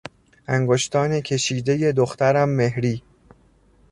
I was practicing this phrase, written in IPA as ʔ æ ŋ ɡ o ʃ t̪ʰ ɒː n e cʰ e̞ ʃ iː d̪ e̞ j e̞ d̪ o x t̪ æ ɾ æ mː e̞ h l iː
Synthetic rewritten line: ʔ æ ŋ ɡ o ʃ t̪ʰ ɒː n e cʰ e̞ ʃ iː d̪ e̞ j e̞ d̪ o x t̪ æ ɾ æ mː e̞ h ɾ iː